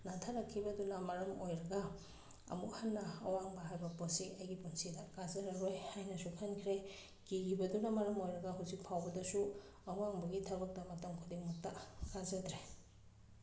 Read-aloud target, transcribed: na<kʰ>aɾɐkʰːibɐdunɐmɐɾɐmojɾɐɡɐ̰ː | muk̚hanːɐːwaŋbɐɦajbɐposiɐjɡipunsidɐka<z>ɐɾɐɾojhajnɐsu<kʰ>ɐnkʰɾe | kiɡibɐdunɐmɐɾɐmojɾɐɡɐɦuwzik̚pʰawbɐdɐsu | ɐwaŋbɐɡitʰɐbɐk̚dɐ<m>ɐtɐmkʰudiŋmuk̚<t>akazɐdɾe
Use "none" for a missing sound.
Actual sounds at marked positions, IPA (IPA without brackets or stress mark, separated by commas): tʰ, z, kʰ, m, t